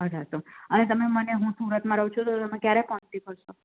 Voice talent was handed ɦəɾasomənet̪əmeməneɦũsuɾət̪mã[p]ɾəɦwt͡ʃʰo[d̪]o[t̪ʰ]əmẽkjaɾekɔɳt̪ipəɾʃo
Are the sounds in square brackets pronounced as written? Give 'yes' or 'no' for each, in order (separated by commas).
no, no, no